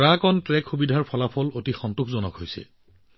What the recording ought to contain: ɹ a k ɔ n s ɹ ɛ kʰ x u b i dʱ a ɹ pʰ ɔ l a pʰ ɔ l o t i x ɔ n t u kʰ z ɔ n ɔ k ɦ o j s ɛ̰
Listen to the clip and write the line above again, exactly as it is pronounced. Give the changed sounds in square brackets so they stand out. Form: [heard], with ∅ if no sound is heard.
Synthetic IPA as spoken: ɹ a k ɔ n [t] ɹ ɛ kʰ x u b i dʱ a ɹ pʰ ɔ l a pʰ ɔ l o t i x ɔ n t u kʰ z ɔ n ɔ k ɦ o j s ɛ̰